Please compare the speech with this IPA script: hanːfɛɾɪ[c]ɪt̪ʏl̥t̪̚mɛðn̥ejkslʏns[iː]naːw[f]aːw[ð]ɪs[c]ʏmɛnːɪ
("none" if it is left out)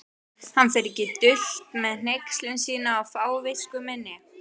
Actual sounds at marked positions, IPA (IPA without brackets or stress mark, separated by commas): c, iː, f, v, k